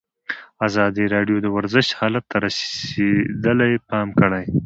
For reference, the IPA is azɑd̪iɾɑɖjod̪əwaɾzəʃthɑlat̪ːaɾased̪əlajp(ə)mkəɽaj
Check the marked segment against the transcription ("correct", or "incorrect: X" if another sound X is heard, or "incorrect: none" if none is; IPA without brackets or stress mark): incorrect: ɑ